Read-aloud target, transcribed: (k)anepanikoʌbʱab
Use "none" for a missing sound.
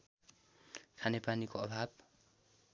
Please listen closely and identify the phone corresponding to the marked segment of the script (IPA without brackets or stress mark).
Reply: kʰ